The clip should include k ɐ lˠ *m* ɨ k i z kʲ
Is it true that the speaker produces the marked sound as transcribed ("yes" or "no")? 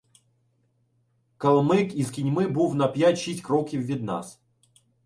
yes